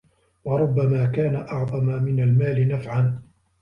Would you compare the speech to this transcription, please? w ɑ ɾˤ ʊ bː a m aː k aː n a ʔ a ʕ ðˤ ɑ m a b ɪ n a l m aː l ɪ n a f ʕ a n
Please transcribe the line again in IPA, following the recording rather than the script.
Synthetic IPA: w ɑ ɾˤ ʊ bː a m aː k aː n a ʔ ɑ ʕ ðˤ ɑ m a m ɪ n a l m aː l ɪ n a f ʕ a n